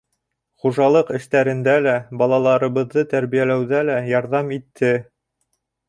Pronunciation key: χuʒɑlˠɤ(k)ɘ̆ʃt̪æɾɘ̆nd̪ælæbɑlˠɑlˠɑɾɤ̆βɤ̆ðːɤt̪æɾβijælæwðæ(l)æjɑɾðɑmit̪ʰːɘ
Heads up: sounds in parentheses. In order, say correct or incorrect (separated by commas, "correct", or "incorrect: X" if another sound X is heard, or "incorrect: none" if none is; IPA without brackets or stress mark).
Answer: incorrect: q, correct